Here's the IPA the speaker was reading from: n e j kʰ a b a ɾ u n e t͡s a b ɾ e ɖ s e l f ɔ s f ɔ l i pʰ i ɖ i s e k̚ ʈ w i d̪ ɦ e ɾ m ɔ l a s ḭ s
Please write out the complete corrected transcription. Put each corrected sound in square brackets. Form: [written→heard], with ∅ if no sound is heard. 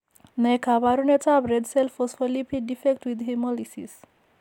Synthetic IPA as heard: n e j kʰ a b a ɾ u n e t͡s a b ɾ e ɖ s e l f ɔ s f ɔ l i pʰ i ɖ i [s→f] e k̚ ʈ w i d̪ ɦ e [ɾ→∅] m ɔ l [a→i] s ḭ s